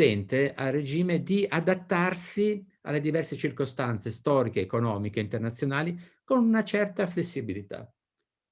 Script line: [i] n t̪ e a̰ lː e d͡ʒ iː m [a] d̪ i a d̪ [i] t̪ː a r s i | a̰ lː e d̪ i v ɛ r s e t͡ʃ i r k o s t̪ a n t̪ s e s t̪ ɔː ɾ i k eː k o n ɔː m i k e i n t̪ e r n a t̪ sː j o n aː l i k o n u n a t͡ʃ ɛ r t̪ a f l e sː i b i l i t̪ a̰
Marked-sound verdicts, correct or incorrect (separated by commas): incorrect, incorrect, incorrect